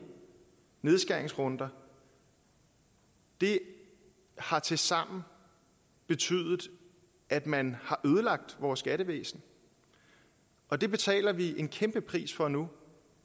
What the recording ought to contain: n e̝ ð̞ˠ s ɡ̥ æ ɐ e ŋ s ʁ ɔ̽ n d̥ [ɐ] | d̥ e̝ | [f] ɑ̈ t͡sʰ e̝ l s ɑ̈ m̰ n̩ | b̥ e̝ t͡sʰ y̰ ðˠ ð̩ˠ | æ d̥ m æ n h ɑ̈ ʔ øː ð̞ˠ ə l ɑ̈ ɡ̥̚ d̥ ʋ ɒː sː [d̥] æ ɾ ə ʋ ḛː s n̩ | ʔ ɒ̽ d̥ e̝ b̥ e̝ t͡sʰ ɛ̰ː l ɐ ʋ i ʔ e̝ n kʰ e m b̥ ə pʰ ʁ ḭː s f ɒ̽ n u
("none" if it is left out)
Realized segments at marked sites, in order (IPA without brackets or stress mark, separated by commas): ɐ, h, ɡ̥